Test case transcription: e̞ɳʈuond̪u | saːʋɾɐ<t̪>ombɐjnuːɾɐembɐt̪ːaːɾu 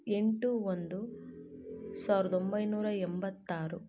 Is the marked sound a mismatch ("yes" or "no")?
yes